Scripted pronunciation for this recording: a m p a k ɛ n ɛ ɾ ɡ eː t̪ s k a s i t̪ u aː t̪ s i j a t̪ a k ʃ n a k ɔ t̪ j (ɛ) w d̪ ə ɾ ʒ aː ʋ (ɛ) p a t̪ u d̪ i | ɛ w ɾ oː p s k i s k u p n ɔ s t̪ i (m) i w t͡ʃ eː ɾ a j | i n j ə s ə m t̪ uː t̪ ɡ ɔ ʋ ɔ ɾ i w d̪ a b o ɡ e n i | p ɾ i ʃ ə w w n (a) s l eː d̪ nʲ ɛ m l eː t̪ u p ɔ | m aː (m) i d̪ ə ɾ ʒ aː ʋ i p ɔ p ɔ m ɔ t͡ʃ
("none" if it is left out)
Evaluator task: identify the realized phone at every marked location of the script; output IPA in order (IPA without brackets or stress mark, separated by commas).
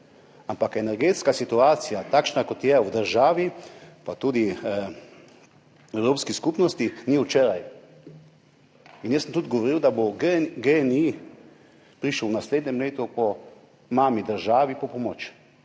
ɛ, i, n, a, m